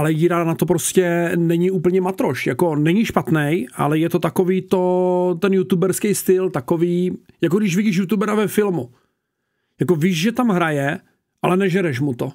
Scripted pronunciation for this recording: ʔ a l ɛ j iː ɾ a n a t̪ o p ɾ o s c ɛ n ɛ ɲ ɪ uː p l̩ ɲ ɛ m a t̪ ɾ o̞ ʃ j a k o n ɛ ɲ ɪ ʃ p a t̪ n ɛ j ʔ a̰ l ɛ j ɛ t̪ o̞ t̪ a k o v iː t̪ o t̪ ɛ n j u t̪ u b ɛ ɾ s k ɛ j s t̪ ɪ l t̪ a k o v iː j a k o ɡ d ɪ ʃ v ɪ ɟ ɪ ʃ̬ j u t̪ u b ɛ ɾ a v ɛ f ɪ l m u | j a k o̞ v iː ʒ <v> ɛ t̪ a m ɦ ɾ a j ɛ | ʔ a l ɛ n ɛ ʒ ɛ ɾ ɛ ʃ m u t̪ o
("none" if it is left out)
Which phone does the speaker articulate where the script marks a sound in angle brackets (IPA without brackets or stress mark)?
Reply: ʒ